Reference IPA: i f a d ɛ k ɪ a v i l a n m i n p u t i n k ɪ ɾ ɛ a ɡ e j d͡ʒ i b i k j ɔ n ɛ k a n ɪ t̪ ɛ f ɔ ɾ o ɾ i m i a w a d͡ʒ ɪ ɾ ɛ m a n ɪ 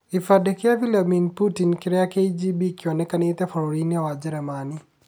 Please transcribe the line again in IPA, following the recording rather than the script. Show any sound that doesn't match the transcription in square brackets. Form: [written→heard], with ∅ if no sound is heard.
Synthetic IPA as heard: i f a d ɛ k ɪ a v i l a [n→∅] m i n p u t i n k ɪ ɾ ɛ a [ɡ→k] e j d͡ʒ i b i k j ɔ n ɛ k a n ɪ t̪ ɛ f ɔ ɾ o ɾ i [m→n] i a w a d͡ʒ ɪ ɾ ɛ m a n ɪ